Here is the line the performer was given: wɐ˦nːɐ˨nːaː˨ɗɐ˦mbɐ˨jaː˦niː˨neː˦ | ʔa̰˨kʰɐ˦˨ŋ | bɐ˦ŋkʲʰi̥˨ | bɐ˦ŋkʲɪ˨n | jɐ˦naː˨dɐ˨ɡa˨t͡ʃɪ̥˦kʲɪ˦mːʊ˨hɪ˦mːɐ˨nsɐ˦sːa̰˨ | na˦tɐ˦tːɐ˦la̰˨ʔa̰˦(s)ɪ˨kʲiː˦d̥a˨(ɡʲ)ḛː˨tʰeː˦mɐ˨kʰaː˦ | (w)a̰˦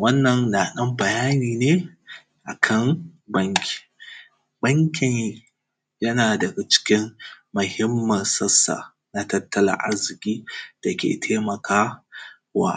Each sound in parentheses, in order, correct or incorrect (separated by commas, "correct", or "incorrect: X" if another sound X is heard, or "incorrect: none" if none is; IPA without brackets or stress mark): incorrect: z, incorrect: kʲ, correct